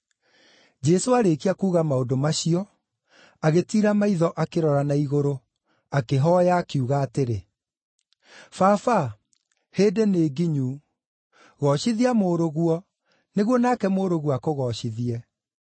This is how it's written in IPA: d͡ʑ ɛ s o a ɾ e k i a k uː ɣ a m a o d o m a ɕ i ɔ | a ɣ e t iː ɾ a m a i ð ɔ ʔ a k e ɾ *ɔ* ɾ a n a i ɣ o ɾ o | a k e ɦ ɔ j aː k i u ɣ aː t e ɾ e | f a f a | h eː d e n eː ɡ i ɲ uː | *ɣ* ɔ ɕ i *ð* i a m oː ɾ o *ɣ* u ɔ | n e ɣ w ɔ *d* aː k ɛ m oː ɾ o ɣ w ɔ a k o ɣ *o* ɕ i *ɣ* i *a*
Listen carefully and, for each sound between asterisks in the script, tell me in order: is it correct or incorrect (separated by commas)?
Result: correct, correct, correct, correct, incorrect, incorrect, incorrect, incorrect